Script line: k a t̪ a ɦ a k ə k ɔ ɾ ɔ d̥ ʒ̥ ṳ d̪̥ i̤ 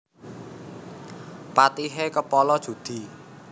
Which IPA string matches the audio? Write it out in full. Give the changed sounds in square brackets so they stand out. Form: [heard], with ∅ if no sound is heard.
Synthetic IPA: [p] a t̪ [i] ɦ [e] k ə [p] ɔ [l] ɔ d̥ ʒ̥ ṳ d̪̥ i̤